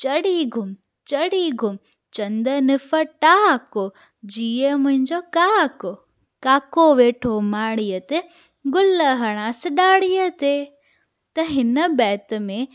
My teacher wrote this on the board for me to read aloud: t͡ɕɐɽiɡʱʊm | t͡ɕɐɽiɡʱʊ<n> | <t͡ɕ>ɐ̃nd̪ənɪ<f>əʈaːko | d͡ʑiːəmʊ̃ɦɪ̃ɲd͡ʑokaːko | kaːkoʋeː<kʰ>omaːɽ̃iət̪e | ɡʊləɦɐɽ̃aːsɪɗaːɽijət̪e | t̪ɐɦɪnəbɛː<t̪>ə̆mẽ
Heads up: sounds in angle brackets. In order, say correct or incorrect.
incorrect, correct, correct, incorrect, correct

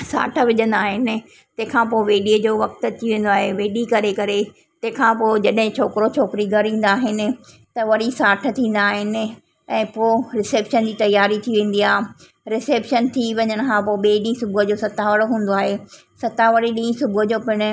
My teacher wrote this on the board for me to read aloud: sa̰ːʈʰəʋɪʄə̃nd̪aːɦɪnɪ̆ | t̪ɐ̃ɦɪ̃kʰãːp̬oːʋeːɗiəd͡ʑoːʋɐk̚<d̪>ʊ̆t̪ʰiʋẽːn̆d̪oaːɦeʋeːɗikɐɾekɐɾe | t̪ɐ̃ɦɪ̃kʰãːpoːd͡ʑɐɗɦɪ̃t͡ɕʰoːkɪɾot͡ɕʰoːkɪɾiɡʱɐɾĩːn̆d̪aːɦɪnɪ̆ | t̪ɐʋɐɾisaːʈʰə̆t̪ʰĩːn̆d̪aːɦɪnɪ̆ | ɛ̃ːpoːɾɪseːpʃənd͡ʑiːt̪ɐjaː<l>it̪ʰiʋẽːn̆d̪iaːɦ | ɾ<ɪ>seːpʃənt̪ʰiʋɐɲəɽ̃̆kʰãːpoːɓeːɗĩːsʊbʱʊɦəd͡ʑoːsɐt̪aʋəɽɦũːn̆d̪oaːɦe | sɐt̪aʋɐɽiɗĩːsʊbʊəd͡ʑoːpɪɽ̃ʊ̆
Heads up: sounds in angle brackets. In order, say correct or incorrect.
incorrect, incorrect, correct

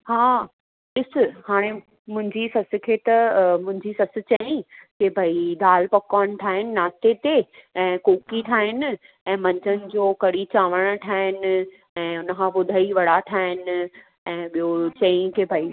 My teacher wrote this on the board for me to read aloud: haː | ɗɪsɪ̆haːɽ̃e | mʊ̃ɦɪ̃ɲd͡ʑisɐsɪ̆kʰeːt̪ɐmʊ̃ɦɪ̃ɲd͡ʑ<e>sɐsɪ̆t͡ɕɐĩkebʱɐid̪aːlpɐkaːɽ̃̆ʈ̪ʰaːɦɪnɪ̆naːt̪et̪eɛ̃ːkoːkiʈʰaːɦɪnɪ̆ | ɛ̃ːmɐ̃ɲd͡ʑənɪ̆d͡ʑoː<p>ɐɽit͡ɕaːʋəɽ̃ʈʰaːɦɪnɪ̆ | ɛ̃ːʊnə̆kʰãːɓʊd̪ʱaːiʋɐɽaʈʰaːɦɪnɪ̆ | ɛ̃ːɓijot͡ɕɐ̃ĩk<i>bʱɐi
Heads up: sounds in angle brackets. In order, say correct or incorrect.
incorrect, incorrect, incorrect

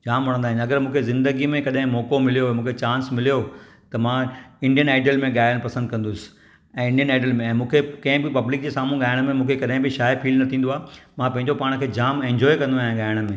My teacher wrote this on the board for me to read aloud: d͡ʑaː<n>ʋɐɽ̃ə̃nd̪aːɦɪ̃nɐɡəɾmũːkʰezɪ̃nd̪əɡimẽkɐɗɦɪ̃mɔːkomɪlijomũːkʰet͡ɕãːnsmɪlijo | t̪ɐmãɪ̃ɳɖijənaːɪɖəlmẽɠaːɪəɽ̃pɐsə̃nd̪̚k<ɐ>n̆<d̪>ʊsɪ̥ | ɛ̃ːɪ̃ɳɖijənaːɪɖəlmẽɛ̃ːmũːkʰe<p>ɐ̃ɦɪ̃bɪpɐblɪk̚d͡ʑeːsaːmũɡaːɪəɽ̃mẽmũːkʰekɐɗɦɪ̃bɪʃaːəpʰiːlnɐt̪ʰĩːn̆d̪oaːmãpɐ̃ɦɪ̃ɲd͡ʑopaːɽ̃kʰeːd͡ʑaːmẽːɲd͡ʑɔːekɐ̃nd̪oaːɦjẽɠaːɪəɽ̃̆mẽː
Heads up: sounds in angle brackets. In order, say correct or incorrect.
incorrect, incorrect, correct, incorrect

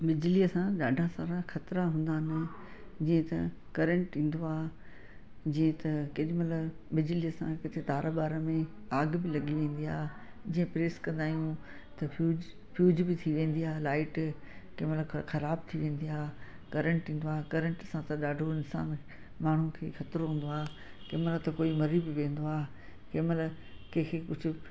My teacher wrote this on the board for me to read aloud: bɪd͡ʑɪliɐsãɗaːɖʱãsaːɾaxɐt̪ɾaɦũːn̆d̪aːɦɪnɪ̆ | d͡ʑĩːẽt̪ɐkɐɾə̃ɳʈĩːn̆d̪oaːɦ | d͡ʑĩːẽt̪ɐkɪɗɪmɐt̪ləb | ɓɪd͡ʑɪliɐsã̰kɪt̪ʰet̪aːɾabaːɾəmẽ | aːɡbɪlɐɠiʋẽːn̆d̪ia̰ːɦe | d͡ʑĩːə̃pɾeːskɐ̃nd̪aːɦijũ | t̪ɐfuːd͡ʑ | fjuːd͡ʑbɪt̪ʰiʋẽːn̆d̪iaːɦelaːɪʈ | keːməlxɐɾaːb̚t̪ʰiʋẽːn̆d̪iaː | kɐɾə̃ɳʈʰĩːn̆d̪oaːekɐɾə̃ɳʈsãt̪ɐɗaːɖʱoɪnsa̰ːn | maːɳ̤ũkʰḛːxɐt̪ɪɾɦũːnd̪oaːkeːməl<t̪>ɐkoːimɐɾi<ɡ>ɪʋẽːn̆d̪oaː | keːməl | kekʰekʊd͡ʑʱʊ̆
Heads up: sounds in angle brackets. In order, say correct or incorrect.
correct, incorrect

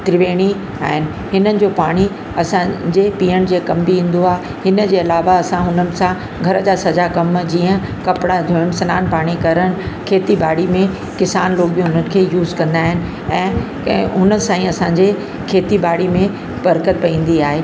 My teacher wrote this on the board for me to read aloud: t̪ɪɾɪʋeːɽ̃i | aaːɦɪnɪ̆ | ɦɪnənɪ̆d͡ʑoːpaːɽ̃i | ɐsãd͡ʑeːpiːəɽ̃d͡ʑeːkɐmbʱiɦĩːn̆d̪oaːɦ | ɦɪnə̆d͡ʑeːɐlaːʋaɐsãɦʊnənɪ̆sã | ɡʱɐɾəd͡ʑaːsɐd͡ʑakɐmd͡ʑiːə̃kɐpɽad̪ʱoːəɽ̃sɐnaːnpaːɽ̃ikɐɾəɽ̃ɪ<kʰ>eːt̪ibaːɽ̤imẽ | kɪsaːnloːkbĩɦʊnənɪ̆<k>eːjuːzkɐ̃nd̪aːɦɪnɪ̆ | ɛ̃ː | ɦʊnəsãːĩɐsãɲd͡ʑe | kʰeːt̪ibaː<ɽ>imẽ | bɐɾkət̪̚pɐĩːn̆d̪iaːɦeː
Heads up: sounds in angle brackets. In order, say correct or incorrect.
correct, incorrect, correct

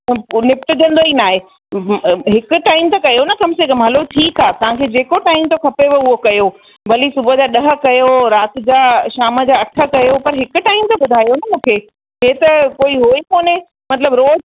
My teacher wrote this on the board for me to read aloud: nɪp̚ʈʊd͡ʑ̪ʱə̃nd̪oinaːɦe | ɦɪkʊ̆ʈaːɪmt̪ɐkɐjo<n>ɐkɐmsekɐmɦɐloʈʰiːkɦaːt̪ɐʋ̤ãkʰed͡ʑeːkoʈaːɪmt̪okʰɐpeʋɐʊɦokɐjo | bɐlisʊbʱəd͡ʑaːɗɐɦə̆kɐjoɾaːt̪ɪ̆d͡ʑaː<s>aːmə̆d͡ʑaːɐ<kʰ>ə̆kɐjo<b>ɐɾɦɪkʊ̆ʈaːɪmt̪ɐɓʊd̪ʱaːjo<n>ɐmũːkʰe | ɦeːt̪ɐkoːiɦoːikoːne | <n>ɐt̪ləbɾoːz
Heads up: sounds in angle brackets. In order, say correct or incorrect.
correct, incorrect, incorrect, incorrect, correct, incorrect

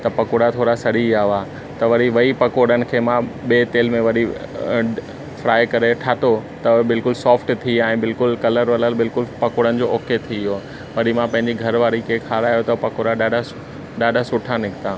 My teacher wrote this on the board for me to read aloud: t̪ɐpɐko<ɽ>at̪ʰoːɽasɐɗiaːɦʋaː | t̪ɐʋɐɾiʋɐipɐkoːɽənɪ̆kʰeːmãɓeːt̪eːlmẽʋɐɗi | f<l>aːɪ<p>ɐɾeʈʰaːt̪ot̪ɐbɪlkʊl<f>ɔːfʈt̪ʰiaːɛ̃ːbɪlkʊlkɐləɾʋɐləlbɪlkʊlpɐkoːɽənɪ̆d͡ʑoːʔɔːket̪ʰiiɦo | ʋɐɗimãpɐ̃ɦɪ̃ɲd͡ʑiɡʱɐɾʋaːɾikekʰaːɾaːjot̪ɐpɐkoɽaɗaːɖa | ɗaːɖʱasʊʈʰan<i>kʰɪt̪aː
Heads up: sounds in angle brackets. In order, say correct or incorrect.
correct, incorrect, incorrect, incorrect, incorrect

